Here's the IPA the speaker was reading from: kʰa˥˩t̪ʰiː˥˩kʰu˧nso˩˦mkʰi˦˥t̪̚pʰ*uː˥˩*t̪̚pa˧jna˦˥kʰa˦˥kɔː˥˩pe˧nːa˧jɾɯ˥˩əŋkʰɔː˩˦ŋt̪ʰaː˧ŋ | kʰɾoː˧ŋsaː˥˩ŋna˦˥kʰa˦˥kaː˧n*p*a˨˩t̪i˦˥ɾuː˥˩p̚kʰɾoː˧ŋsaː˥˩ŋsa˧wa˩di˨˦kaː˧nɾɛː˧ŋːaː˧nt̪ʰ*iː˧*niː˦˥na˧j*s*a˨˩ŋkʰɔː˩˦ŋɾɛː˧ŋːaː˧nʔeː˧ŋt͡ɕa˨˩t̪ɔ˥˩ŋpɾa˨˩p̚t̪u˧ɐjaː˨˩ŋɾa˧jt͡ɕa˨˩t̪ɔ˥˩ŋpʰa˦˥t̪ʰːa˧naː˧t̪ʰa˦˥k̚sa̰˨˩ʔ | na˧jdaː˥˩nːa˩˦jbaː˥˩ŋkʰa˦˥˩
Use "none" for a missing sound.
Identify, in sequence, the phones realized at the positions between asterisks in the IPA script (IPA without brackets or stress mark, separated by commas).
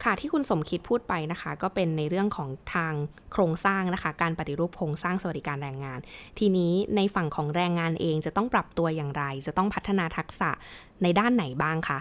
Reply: uː˥˩, p, iː˧, f